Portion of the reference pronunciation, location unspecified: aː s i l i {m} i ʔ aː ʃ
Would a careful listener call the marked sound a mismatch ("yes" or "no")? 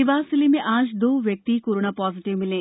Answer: no